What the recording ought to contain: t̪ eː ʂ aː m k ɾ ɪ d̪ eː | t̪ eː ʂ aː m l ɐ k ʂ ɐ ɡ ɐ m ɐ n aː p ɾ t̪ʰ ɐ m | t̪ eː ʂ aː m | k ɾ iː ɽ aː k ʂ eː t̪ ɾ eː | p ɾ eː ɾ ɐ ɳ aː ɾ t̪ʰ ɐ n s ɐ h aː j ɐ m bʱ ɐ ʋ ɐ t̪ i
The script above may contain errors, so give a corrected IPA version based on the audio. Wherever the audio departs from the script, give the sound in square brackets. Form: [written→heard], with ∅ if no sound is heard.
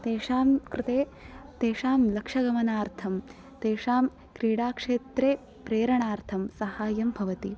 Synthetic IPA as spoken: t̪ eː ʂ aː m k ɾ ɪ [d̪→t̪] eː | t̪ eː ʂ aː m l ɐ k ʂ ɐ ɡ ɐ m ɐ n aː [p→∅] ɾ t̪ʰ ɐ m | t̪ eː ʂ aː m | k ɾ iː ɽ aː k ʂ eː t̪ ɾ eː | p ɾ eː ɾ ɐ ɳ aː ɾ t̪ʰ ɐ [n→m] s ɐ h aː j ɐ m bʱ ɐ ʋ ɐ t̪ i